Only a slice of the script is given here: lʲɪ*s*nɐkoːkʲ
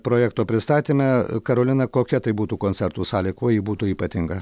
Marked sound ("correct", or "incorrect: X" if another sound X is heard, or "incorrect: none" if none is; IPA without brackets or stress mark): incorrect: none